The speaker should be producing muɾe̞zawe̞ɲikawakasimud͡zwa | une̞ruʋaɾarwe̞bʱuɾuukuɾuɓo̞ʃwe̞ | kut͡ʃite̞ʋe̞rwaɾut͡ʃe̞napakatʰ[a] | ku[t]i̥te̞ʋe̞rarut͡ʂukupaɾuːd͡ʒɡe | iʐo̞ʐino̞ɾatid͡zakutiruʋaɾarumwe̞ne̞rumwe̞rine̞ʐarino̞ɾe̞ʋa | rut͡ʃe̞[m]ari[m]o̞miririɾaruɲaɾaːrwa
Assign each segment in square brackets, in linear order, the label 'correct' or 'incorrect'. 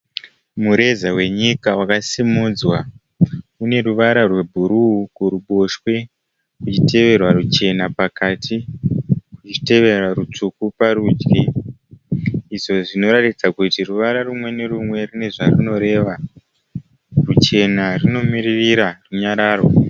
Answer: incorrect, incorrect, incorrect, incorrect

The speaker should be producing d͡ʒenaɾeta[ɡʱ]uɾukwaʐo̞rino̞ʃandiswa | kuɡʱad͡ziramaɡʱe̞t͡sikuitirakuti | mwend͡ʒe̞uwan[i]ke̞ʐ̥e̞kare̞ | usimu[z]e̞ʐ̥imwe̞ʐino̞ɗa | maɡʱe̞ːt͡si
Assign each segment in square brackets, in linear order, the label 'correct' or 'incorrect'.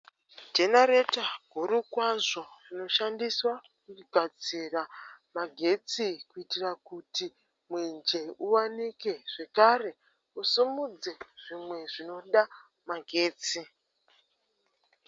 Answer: correct, correct, incorrect

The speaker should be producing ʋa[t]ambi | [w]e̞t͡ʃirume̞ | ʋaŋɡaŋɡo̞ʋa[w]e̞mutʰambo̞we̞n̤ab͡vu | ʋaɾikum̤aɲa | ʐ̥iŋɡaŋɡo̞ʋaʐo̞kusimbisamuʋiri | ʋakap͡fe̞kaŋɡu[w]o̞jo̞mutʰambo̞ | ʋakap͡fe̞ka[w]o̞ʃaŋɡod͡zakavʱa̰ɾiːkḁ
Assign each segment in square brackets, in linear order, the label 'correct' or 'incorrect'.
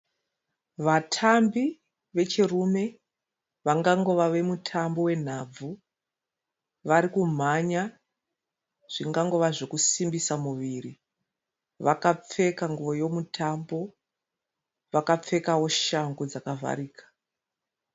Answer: incorrect, incorrect, incorrect, incorrect, correct

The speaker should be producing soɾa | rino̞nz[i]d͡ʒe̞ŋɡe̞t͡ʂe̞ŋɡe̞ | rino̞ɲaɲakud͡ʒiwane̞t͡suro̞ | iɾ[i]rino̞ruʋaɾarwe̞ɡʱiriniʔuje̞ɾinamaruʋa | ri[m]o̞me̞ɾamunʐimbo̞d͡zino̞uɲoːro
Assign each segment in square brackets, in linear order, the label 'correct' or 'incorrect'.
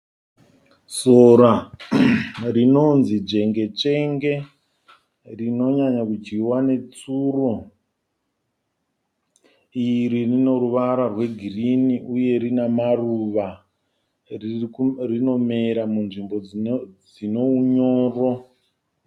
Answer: correct, correct, incorrect

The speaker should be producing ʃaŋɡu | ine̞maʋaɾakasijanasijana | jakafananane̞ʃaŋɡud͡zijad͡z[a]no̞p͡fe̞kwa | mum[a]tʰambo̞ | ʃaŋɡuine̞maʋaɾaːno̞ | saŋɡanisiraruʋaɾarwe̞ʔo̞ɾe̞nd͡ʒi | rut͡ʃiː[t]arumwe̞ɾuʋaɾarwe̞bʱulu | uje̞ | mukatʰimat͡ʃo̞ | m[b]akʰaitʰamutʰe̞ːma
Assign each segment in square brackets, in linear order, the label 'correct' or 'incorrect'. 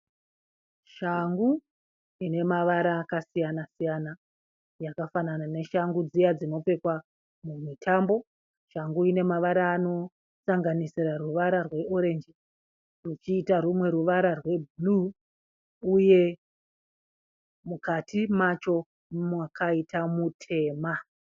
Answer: incorrect, incorrect, correct, incorrect

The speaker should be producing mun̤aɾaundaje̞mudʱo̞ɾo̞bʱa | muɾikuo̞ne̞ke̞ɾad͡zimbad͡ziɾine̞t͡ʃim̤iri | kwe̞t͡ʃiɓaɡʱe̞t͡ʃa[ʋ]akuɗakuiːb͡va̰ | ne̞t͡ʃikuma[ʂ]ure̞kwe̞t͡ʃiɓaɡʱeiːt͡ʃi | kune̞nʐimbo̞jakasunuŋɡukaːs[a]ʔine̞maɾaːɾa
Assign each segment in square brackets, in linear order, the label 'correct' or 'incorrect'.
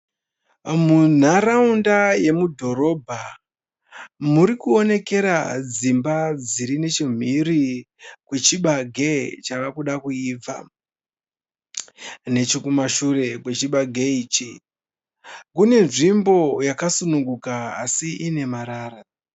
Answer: correct, incorrect, incorrect

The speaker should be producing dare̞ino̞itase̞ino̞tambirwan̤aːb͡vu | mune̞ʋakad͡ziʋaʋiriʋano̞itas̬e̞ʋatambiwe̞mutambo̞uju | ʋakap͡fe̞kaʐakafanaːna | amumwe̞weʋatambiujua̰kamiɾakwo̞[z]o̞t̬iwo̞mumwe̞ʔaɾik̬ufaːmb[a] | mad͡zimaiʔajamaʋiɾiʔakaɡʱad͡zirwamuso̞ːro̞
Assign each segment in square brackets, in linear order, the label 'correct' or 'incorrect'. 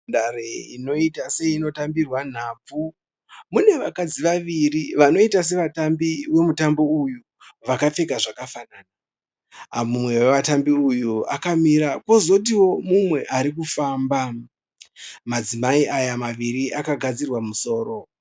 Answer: correct, correct

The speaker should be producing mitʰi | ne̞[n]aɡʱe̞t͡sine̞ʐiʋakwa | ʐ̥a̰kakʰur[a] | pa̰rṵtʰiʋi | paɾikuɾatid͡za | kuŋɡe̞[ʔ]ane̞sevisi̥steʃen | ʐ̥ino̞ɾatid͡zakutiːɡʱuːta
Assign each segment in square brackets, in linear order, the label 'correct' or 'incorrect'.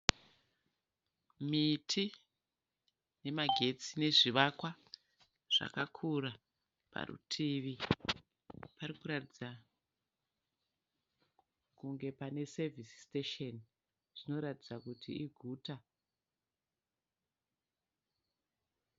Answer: incorrect, correct, incorrect

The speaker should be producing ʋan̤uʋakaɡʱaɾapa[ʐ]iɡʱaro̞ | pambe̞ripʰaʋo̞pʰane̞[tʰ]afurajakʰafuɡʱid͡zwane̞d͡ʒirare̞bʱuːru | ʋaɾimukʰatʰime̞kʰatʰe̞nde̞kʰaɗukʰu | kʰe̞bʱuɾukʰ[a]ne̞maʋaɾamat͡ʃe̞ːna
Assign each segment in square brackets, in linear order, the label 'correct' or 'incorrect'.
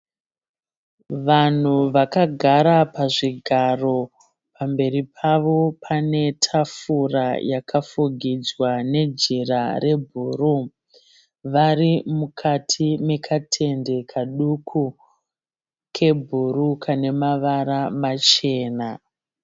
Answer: correct, correct, correct

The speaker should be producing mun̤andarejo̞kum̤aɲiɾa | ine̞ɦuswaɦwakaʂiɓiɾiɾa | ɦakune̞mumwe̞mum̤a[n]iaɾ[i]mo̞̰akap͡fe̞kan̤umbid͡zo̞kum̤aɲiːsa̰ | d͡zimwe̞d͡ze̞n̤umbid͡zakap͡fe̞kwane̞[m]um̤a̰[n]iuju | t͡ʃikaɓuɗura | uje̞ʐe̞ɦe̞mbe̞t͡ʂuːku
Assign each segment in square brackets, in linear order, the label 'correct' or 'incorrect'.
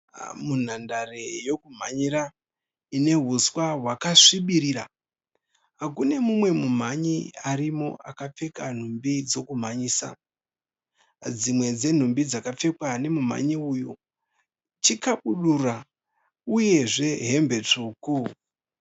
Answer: incorrect, correct, correct, incorrect

